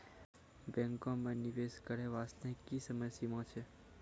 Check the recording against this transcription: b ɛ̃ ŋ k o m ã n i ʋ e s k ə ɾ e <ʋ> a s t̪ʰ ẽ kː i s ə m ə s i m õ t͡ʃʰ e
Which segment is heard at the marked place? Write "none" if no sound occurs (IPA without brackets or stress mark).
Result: ʋ